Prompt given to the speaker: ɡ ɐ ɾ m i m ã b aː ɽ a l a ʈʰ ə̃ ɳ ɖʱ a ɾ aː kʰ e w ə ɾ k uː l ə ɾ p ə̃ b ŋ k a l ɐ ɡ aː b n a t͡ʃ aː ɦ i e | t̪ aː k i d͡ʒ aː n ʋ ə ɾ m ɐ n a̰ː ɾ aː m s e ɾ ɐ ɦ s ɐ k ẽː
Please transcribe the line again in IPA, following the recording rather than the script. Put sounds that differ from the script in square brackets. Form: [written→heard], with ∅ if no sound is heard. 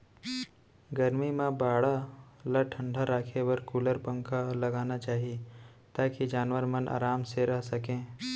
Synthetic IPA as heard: ɡ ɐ ɾ m i m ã b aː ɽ a l a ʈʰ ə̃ ɳ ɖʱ a ɾ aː kʰ e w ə ɾ k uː l ə ɾ p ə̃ [b→∅] ŋ k a l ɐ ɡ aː [b→∅] n a t͡ʃ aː ɦ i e | t̪ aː k i d͡ʒ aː n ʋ ə ɾ m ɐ n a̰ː ɾ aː m s e ɾ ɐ ɦ s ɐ k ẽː